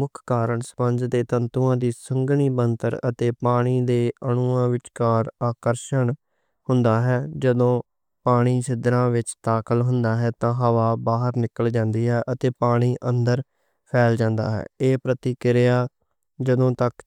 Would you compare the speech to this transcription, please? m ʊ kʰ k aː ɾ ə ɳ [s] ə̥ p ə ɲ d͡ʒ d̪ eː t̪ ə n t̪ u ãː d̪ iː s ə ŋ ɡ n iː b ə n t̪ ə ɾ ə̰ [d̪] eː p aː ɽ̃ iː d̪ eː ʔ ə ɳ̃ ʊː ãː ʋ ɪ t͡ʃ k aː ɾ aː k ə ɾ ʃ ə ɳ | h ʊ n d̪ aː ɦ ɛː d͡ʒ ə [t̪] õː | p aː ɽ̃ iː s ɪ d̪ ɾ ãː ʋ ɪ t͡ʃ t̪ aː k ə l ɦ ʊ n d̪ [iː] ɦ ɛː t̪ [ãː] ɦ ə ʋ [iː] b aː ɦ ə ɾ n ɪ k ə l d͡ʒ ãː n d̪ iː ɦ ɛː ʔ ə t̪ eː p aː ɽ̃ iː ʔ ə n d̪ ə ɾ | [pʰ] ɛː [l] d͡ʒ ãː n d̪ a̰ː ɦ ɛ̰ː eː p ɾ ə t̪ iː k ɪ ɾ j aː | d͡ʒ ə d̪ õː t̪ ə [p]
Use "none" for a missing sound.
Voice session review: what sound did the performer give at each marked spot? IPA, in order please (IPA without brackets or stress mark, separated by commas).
s, t̪, d̪, aː, ãː, aː, pʰ, l, k